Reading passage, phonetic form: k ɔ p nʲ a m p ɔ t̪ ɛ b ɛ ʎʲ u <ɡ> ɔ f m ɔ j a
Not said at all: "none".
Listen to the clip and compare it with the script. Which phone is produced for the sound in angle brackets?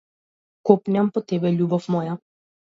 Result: b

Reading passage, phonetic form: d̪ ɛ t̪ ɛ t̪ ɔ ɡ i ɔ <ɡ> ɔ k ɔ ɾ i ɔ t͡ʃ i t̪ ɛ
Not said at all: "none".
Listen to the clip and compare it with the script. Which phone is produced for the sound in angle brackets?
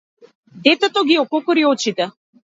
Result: k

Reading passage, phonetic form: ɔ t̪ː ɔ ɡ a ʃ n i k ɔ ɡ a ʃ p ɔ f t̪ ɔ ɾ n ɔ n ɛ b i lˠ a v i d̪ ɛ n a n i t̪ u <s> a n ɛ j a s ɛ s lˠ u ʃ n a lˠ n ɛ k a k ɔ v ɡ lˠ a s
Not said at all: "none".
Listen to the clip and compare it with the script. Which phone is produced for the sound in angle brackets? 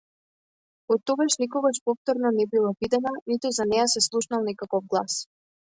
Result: z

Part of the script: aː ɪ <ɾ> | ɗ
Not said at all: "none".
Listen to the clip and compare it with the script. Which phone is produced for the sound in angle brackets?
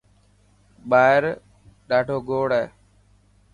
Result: ɾ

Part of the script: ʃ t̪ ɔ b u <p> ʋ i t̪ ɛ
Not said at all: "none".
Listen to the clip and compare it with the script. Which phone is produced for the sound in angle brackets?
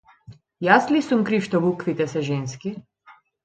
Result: k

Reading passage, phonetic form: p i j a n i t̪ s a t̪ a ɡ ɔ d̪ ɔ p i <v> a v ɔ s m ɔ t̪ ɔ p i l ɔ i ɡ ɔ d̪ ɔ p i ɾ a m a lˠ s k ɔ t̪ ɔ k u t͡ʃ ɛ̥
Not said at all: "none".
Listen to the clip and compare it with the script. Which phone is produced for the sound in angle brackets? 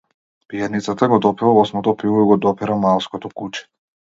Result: v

